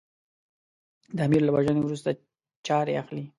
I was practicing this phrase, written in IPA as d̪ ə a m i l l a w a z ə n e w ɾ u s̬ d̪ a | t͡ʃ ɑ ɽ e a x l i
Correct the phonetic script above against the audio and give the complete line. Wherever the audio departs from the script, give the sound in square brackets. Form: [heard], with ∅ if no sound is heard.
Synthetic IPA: d̪ ə a m i [ɾ] l a w a [ʒ] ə n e w ɾ u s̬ [t̪] a | t͡ʃ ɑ [ɾ] e a x l i